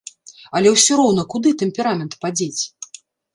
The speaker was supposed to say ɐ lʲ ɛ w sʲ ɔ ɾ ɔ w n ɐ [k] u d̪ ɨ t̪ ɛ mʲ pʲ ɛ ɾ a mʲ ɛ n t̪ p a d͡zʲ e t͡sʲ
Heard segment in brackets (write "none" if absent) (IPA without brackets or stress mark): k